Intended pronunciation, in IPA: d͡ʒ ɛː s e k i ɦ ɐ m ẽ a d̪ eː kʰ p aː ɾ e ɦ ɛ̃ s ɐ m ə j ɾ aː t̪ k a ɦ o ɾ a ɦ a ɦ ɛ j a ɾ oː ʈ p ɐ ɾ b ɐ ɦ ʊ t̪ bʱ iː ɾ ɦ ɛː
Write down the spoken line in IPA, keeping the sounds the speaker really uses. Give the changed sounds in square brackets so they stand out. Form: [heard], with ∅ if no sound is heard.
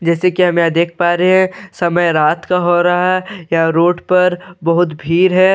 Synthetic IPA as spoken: d͡ʒ ɛː s e k i ɦ ɐ m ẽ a d̪ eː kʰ p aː ɾ e ɦ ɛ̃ s ɐ m ə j ɾ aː t̪ k a ɦ o ɾ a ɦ a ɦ ɛ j a ɾ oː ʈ p ɐ ɾ b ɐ ɦ ʊ t̪ bʱ iː ɾ ɦ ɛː